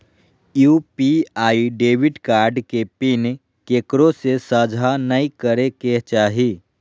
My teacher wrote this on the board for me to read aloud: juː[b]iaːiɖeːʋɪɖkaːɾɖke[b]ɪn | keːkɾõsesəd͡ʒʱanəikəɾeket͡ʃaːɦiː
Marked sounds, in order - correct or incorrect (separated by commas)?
incorrect, incorrect